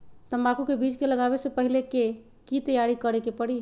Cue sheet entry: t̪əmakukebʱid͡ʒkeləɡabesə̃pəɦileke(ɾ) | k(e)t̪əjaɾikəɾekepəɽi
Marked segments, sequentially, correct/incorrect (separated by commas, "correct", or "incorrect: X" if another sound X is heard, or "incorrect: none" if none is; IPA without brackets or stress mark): incorrect: none, incorrect: i